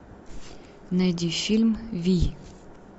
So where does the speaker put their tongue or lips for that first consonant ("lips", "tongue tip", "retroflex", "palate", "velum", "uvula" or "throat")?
tongue tip